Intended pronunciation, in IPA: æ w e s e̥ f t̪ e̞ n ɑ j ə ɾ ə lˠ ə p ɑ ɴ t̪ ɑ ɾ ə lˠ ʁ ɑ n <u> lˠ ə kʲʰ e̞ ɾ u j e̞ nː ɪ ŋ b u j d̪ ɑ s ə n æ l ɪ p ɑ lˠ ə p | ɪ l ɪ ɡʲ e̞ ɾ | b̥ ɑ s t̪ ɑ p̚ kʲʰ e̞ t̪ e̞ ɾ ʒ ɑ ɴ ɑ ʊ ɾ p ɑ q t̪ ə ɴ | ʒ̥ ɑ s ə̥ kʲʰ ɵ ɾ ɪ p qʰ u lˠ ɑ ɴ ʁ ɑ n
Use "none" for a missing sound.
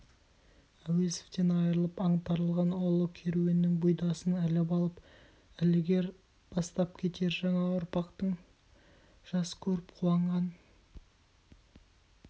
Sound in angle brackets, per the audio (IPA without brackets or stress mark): o